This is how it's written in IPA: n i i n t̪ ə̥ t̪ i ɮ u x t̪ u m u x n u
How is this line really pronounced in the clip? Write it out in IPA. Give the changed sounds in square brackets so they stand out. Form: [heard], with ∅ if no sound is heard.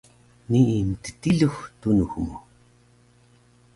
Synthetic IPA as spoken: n i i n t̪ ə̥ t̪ i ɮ u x t̪ u [n] u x [m] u